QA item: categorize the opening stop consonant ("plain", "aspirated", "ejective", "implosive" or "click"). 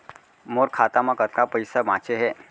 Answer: aspirated